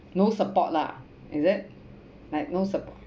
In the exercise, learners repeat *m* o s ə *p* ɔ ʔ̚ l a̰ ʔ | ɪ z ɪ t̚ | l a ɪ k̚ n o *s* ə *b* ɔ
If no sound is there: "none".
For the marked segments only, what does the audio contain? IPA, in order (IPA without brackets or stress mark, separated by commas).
n, p, s, p